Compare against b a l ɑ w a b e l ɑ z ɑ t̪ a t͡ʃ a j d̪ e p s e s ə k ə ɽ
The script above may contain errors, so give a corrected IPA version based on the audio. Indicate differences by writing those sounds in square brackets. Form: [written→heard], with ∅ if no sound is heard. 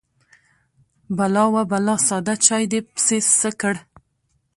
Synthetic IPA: b a l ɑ w a b [e→a] l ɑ [z→s] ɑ [t̪→d̪] a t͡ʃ [a→ɑ] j d̪ e p s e s ə k ə ɽ